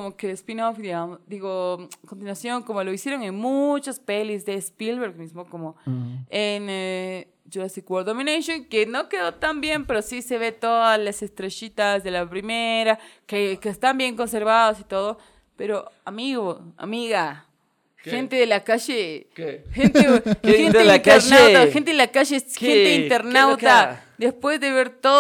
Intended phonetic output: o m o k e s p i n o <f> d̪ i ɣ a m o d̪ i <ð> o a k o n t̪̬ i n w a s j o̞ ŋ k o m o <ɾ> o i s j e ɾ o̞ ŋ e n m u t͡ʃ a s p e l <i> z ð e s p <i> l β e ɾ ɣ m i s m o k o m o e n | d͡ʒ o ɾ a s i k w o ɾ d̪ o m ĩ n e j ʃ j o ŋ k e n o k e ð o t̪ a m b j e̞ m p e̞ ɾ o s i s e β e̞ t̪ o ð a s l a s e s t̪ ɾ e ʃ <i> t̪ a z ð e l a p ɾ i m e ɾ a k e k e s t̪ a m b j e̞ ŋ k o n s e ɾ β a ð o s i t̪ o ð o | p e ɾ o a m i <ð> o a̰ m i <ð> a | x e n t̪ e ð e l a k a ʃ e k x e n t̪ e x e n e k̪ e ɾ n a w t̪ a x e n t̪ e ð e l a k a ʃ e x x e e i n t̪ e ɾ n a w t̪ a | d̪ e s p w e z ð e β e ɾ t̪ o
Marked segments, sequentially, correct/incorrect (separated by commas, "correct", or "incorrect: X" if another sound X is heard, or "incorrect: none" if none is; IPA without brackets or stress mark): correct, incorrect: ɣ, incorrect: l, correct, correct, correct, incorrect: ɣ, incorrect: ɣ